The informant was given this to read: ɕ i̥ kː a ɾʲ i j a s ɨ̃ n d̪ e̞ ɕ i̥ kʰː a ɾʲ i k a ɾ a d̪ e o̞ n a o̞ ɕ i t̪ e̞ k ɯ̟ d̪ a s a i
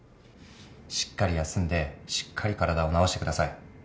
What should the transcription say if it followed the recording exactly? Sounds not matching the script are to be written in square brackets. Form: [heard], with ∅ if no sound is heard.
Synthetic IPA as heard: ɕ i̥ kː a ɾʲ i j a s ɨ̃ n d̪ e̞ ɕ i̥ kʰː a ɾʲ i k a ɾ a d̪ [a] o̞ n a o̞ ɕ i t̪ e̞ k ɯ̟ d̪ a s a i